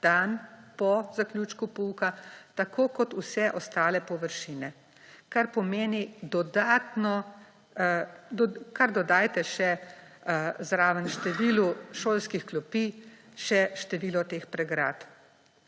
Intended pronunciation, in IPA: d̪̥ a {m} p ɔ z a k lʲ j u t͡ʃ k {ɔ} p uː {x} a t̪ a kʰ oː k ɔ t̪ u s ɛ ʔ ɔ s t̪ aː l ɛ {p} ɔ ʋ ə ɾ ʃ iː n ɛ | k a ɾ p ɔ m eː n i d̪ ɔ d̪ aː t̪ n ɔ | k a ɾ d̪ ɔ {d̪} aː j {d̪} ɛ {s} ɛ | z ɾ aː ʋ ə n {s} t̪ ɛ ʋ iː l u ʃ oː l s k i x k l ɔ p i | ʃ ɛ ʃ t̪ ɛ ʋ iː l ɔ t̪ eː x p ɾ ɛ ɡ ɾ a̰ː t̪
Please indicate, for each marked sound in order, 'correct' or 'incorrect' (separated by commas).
incorrect, incorrect, incorrect, correct, correct, incorrect, incorrect, incorrect